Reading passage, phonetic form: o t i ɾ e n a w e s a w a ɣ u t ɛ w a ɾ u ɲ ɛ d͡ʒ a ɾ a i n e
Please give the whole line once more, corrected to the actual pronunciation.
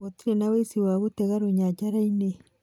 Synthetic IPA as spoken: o t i ɾ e n a w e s i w a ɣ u t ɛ ɣ a ɾ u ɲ a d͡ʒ a ɾ a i n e